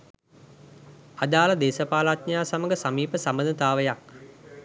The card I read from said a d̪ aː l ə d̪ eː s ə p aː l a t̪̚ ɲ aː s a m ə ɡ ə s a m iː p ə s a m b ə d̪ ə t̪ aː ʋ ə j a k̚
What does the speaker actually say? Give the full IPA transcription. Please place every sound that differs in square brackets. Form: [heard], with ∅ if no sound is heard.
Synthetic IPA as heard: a d̪ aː l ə d̪ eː s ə p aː l a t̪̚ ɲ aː s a m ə ɡ ə s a m iː p ə s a m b ə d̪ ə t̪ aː ʋ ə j a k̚